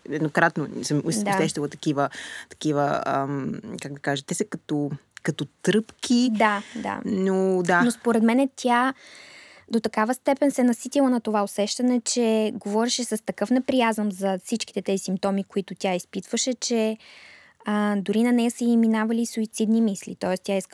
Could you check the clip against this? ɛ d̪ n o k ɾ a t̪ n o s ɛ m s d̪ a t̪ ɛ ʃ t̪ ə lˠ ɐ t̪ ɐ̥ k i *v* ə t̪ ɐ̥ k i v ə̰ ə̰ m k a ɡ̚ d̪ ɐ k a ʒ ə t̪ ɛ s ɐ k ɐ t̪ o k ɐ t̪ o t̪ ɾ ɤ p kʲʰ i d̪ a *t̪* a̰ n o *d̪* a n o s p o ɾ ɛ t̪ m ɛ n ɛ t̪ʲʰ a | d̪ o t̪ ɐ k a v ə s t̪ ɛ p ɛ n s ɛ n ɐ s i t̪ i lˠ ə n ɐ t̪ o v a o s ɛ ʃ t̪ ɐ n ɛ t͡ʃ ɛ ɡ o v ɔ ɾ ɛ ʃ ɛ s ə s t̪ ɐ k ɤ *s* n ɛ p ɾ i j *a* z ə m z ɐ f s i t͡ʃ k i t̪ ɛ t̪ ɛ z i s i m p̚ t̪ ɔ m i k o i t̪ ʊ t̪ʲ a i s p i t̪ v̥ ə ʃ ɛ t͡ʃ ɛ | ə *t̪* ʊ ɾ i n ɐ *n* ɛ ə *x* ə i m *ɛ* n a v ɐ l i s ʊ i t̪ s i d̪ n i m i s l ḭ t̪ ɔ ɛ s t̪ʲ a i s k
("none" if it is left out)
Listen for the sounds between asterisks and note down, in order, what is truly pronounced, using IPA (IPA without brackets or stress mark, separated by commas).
v, d̪, d̪, f, a, d̪, n, s, i